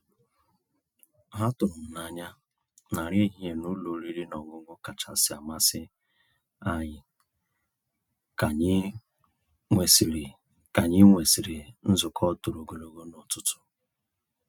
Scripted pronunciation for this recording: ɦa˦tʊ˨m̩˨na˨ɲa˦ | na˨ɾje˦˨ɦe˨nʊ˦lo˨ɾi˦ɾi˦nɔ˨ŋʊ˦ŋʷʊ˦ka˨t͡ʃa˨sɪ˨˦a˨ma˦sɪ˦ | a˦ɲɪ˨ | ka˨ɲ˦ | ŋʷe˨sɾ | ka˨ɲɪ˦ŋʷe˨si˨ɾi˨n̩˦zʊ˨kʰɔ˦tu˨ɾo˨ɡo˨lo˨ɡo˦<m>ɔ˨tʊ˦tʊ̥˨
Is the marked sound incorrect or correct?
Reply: incorrect